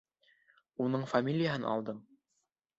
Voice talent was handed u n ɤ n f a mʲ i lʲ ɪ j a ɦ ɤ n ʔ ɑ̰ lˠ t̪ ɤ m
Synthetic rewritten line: u n ɤ ɴ f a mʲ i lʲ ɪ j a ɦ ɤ n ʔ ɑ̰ lˠ d̪ ɤ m